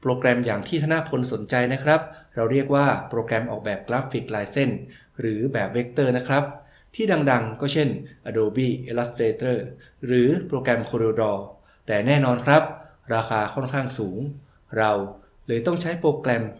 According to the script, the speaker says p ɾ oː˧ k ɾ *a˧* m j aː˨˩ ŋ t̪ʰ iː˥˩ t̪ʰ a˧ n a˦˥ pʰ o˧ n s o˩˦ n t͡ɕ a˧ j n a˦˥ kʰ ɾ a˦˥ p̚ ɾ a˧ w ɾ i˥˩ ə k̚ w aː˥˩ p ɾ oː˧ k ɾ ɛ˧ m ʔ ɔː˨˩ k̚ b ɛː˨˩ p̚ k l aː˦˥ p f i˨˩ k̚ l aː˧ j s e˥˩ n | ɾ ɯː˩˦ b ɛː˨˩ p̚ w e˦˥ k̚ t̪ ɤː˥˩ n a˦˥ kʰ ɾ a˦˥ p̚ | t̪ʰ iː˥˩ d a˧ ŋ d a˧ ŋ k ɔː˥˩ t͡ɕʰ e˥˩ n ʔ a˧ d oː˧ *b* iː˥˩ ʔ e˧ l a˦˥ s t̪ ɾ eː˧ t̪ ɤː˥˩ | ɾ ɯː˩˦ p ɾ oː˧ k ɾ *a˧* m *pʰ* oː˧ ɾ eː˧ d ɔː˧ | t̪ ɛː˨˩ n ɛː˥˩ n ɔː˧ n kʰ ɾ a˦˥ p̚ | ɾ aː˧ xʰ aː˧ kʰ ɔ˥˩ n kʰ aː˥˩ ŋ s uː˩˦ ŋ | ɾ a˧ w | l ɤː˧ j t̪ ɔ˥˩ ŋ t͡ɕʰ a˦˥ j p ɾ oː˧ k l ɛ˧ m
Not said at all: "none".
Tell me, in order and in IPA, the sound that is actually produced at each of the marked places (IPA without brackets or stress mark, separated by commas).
ɛ˧, b, ɛ˧, kʰ